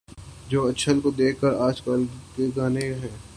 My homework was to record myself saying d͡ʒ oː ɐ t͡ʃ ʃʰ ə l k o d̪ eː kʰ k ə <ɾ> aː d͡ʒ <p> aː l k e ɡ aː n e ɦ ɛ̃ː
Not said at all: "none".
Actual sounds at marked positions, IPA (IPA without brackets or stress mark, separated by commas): ɾ, k